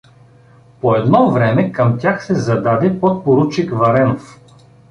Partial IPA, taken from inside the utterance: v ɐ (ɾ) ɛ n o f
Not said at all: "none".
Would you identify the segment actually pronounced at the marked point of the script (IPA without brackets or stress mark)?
ɾ